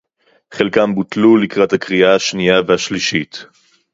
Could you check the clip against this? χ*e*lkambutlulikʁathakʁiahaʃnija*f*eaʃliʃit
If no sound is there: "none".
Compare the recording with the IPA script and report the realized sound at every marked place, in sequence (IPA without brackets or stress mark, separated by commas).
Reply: e, v